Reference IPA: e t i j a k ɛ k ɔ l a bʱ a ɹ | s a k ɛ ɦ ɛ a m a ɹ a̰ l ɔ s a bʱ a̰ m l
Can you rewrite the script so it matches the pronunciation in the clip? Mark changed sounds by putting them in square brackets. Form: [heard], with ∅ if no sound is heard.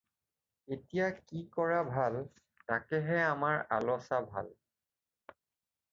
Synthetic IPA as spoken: e t i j a k [i] k ɔ [ɹ] a bʱ a [l] | [t] a k ɛ ɦ ɛ a m a ɹ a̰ l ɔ s a bʱ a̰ [∅] l